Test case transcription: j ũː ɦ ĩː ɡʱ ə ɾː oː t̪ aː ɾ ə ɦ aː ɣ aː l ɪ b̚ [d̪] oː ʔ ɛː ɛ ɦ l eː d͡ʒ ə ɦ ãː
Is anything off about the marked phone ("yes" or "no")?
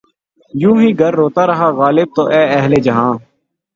yes